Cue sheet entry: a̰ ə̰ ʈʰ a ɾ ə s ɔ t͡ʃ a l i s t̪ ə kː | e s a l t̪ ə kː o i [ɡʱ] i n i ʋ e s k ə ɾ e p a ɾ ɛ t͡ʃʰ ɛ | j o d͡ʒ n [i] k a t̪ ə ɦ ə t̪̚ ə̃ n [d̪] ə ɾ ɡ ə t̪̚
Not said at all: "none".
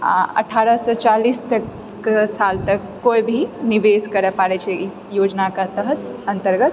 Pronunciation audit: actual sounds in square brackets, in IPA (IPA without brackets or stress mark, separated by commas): bʱ, a, t̪